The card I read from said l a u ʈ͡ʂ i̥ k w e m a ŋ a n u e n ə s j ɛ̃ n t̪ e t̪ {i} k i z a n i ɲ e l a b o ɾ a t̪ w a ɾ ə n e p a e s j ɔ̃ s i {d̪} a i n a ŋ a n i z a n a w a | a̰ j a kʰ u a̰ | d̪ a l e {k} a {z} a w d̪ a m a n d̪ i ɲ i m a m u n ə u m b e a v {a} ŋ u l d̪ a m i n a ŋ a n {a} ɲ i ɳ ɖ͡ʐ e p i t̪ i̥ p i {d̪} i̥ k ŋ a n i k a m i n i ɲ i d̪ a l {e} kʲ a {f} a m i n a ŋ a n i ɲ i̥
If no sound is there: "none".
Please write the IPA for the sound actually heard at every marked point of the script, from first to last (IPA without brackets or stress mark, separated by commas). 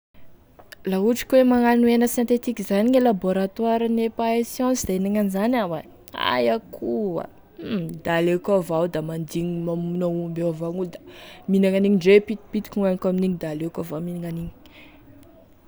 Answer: i, d̪, k, v, a, i, t̪, e, v